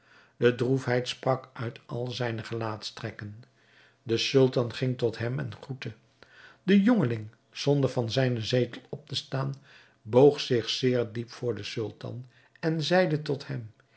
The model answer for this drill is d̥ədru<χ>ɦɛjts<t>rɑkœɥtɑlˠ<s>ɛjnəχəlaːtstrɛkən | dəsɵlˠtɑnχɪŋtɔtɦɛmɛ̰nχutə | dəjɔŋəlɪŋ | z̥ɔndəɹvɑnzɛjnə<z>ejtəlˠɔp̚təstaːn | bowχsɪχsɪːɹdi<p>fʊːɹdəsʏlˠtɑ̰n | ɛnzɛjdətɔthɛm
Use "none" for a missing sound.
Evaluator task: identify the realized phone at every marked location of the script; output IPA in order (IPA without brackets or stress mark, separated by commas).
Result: f, p, z, z, p